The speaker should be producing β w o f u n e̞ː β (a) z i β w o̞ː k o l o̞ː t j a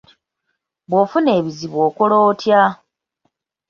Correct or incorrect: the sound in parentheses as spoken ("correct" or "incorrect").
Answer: incorrect